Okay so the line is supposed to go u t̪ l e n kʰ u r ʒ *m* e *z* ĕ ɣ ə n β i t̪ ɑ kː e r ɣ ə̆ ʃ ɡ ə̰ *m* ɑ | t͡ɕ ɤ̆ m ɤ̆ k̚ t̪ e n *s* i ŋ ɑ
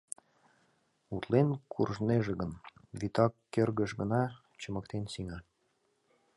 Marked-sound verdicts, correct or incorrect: incorrect: n, incorrect: ʒ, incorrect: n, correct

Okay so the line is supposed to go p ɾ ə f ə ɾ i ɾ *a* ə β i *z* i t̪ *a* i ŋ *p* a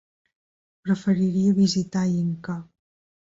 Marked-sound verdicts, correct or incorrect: incorrect: i, correct, correct, incorrect: k

